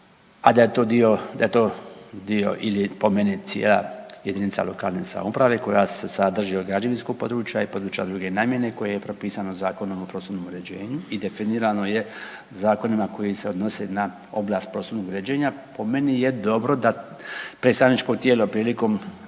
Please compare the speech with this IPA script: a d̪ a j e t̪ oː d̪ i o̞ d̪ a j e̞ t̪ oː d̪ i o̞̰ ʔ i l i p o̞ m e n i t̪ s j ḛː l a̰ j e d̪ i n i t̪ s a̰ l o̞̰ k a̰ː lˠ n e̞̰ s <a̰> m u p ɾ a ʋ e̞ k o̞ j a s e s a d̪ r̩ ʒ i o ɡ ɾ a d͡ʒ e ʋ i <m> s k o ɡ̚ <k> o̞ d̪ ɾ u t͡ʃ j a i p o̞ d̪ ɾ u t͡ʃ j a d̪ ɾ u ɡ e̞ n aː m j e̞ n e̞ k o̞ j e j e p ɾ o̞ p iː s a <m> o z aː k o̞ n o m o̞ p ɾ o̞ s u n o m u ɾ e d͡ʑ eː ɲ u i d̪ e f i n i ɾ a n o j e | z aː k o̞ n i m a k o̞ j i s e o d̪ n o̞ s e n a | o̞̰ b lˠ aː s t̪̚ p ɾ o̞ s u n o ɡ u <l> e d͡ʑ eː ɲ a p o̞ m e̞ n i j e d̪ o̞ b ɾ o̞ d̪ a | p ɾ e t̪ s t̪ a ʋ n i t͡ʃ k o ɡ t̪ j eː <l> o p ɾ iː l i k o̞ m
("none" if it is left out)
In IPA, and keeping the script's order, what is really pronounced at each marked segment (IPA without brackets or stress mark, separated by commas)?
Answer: a̰, n, p, n, ɾ, l